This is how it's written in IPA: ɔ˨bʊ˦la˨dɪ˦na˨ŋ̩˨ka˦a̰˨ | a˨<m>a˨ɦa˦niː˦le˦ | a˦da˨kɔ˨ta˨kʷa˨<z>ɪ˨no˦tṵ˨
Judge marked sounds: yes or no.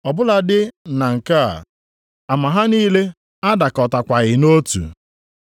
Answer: yes, no

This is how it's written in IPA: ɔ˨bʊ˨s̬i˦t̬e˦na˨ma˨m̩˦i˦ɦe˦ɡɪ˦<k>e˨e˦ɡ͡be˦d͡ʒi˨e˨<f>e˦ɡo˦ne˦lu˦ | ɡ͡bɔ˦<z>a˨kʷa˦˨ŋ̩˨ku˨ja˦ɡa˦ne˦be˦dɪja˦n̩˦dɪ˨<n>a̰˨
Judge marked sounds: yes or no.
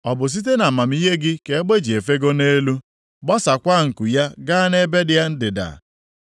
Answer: yes, yes, no, no

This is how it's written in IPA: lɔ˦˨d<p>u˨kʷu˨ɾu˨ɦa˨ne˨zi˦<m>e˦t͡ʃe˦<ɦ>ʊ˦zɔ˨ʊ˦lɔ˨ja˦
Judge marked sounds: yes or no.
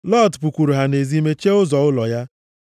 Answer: yes, yes, no

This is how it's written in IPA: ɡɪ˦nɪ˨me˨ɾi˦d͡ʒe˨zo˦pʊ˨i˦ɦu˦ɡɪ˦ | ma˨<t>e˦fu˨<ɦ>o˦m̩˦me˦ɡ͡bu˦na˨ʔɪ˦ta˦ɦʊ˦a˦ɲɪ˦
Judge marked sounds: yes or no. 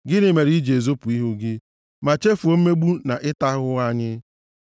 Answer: no, no

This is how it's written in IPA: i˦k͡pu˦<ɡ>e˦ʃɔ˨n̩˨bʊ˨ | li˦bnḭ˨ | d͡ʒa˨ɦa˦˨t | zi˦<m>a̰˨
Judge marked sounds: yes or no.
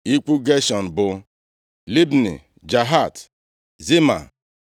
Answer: yes, yes

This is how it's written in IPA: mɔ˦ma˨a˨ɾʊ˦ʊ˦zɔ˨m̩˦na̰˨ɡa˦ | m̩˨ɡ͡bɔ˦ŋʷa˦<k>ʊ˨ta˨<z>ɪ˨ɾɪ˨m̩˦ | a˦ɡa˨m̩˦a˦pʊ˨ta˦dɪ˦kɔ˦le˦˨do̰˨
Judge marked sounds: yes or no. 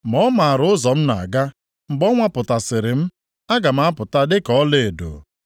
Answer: no, no

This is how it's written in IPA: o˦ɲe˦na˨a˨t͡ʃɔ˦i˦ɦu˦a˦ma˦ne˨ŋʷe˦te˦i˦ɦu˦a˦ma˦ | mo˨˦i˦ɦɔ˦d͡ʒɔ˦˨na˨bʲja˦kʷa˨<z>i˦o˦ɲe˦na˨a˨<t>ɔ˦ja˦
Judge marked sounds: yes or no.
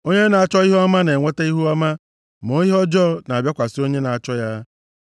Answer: no, no

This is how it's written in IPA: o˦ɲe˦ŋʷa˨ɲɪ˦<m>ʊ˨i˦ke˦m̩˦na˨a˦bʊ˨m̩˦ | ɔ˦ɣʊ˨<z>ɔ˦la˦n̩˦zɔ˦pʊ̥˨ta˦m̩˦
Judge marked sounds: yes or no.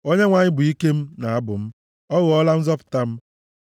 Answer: no, no

